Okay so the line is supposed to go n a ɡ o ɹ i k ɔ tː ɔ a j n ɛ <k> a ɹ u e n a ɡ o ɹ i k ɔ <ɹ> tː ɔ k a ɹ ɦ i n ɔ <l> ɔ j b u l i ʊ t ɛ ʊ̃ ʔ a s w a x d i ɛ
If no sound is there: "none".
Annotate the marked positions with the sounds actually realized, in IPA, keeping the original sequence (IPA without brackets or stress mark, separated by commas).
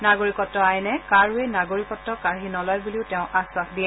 k, none, l